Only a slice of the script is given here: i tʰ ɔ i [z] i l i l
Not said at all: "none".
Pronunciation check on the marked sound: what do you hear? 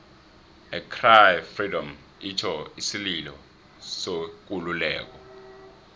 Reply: s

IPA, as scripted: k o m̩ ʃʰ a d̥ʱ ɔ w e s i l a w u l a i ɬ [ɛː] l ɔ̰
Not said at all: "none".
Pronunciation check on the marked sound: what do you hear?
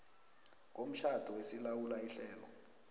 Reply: ɛː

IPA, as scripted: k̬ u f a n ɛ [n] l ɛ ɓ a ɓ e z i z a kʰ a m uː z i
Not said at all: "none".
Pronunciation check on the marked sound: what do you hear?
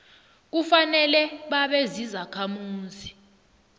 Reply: none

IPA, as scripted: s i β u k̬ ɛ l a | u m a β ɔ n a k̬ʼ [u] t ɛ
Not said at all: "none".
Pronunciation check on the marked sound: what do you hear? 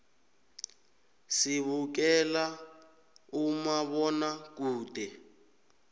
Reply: uː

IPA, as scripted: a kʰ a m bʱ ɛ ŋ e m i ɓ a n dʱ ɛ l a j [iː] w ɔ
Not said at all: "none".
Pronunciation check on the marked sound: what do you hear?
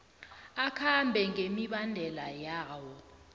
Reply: aː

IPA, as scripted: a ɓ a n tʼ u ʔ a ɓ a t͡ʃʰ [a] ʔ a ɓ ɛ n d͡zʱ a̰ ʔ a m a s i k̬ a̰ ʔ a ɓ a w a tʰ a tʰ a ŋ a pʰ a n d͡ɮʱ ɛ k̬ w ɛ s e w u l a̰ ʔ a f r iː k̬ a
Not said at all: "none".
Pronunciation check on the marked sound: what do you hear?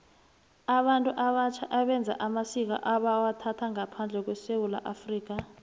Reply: a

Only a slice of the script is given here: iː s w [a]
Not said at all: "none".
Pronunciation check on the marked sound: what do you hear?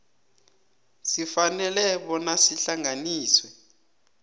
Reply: ɛ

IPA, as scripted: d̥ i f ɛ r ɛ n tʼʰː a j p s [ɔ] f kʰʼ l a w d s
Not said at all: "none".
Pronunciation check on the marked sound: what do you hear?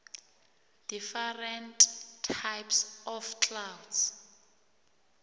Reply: ɔ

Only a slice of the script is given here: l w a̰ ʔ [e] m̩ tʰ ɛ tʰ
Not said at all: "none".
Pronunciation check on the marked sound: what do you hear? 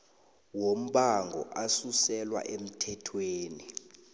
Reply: e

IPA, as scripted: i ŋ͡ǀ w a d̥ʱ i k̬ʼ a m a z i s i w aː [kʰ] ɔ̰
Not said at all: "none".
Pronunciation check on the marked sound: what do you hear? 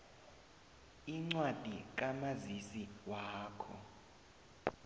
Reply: kʰ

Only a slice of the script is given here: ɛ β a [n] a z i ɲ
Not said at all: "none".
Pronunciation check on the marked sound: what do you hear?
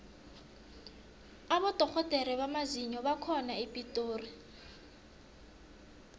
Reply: m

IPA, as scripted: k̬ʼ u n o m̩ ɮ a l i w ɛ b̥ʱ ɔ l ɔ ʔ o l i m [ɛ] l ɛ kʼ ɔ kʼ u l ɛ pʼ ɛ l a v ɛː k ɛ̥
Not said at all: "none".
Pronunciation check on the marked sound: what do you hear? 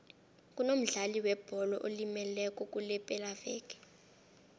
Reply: ɛ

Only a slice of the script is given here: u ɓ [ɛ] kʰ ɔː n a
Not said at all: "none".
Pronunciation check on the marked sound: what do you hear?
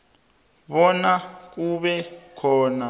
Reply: ɛ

